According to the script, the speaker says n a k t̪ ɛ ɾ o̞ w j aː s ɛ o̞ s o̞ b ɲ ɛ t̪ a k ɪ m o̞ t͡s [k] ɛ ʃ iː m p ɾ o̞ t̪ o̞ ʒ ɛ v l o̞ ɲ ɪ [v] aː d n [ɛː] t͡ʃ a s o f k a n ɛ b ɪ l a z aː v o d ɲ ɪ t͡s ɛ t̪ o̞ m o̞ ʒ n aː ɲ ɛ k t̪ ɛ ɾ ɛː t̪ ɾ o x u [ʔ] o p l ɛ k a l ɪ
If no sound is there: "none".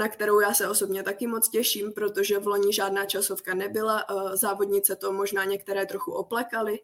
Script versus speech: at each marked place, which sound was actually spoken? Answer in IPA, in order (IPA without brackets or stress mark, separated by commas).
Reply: c, ʒ, aː, ʔ